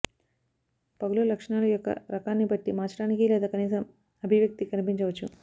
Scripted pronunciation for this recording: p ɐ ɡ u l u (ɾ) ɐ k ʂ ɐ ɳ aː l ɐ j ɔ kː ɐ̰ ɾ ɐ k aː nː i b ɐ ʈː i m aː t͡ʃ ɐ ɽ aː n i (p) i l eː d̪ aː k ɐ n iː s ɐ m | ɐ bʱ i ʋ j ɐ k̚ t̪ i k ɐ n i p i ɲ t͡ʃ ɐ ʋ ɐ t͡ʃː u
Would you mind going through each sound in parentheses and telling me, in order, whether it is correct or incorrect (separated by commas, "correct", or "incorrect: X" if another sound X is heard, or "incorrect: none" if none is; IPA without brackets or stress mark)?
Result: incorrect: l, incorrect: k